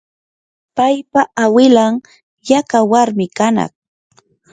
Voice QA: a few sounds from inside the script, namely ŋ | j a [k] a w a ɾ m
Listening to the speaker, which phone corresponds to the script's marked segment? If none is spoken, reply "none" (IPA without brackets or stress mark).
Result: k